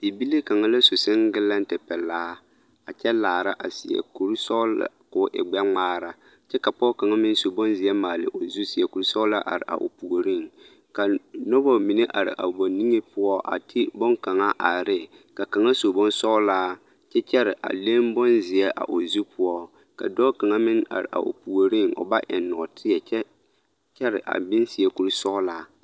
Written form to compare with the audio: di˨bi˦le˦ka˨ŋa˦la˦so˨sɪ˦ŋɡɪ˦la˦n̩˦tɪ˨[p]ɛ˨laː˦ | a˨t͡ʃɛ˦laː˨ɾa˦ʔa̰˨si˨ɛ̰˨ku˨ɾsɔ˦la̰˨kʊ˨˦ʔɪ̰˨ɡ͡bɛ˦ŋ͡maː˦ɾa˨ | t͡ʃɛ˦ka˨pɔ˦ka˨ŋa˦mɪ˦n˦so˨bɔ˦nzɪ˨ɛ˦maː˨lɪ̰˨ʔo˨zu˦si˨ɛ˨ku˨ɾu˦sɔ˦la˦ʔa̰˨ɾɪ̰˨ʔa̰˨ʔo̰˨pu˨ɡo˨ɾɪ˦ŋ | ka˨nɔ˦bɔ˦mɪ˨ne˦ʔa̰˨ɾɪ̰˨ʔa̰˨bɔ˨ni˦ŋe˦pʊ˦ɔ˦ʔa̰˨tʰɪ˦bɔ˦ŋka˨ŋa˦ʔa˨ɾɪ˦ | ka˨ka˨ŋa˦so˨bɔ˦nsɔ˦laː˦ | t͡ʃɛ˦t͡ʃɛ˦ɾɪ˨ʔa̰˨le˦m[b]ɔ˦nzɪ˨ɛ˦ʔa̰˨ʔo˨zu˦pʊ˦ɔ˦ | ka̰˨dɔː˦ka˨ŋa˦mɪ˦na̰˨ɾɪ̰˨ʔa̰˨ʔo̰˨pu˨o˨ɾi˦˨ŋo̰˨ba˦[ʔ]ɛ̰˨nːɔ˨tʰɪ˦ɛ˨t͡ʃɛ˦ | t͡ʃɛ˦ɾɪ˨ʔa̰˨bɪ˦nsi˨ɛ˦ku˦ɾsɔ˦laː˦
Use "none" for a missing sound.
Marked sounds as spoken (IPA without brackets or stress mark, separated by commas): p, b, ʔ